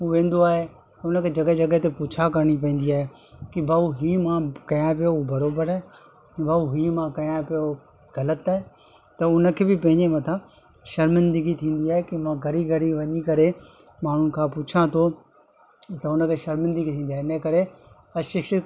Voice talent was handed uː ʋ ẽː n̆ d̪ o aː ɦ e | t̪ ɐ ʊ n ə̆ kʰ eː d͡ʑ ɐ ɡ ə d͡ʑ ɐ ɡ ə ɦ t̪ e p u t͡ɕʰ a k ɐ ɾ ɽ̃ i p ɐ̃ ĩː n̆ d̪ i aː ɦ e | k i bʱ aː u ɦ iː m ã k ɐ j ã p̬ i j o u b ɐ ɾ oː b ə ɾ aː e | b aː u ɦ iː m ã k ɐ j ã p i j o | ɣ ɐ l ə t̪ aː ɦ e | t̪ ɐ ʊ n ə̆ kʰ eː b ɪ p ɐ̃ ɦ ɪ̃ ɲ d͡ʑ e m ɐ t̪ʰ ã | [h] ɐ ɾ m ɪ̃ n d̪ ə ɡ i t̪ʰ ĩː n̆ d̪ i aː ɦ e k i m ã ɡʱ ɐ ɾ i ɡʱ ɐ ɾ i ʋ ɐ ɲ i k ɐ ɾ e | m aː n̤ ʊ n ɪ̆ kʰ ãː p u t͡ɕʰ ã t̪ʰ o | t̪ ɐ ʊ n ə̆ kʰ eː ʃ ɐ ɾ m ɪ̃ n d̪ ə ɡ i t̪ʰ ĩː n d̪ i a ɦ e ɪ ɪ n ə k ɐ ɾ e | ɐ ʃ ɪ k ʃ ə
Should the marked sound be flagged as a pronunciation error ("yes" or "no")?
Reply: yes